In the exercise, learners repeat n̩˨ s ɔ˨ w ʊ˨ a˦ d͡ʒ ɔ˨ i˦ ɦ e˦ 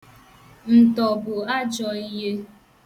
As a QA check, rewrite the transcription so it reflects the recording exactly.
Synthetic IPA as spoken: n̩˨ t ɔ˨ b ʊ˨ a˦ d͡ʒ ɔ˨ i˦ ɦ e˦